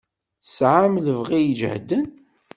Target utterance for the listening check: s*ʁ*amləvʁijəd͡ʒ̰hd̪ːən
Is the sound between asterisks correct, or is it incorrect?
incorrect